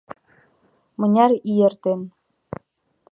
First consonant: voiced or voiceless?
voiced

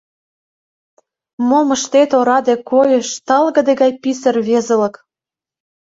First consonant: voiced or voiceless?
voiced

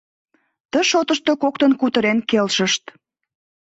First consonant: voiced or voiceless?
voiceless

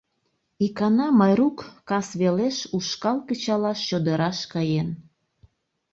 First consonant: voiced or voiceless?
voiceless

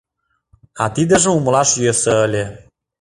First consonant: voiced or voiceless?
voiceless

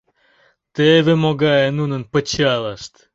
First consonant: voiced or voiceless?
voiceless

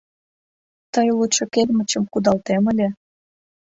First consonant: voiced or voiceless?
voiceless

